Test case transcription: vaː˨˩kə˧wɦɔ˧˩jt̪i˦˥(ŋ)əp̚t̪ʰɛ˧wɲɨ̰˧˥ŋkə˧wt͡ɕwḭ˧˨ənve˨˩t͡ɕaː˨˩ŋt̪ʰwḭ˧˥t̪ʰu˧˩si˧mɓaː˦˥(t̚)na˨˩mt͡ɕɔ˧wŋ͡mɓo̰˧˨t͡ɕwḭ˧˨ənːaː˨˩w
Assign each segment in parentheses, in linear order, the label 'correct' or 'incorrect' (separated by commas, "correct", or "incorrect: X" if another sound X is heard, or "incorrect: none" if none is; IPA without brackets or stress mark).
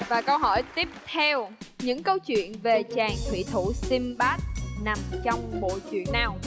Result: incorrect: none, correct